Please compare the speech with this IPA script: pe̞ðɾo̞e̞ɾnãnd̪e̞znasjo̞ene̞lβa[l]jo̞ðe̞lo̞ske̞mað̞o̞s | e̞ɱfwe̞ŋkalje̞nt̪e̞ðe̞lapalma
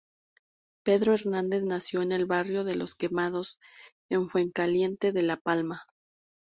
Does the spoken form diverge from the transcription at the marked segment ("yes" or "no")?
yes